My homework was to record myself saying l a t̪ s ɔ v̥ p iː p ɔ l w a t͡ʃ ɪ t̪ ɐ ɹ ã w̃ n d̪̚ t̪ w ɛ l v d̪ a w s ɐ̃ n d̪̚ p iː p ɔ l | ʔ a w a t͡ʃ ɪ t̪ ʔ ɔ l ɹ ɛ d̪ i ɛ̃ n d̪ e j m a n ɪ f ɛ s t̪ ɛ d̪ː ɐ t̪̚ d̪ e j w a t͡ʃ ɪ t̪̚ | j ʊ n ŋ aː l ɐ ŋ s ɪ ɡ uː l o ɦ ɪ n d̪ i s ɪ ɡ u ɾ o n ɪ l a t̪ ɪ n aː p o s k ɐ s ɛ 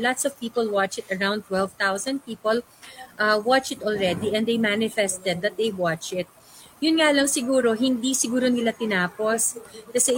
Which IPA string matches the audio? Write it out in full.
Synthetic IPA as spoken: l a t̪ s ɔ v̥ p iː p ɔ l w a t͡ʃ ɪ t̪ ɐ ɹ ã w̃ n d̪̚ t̪ w ɛ l v t̪ a w s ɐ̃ n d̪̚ p iː p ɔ l | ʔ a w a t͡ʃ ɪ t̪ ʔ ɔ l ɹ ɛ d̪ i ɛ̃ n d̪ e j m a n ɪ f ɛ s t̪ ɛ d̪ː ɐ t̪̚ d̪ e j w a t͡ʃ ɪ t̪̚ | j ʊ n ŋ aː l ɐ ŋ s ɪ ɡ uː ɾ o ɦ ɪ n d̪ i s ɪ ɡ uː ɾ o n ɪ l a t̪ ɪ n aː p o s k ɐ s ɛ